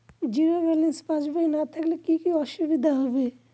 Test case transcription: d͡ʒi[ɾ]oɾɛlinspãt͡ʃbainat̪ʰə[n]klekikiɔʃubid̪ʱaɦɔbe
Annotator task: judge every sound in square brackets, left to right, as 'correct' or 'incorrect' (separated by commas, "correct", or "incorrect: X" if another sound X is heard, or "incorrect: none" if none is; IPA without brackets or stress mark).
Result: correct, incorrect: none